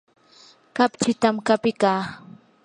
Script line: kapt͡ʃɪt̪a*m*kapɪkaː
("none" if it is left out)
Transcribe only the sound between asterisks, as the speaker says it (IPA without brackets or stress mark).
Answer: m